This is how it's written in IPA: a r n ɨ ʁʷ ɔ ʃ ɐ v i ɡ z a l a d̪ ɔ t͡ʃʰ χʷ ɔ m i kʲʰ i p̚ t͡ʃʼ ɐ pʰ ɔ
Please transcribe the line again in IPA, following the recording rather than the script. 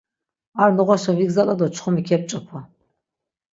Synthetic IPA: a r n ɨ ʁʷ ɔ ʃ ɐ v i ɡ z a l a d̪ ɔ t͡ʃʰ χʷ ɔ m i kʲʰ ɛ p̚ t͡ʃʼ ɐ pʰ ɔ